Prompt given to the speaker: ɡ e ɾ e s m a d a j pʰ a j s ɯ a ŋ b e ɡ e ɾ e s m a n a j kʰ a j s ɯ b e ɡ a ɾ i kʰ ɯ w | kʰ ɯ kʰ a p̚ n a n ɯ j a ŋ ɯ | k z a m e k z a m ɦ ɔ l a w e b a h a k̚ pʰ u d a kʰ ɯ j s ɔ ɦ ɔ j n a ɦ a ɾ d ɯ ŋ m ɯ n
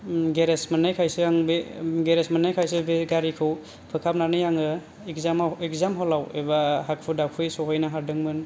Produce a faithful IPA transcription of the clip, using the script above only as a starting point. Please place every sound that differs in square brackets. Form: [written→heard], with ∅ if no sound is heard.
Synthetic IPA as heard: ɡ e ɾ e s m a [d→n] a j [pʰ→kʰ] a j s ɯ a ŋ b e ɡ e ɾ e s m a n a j kʰ a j s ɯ b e ɡ a ɾ i kʰ ɯ w | [kʰ→pʰ] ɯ kʰ a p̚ n a n ɯ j a ŋ ɯ | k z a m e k z a m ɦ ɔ l a w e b a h a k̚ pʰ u d a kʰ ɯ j s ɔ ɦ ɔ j n a ɦ a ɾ d ɯ ŋ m ɯ n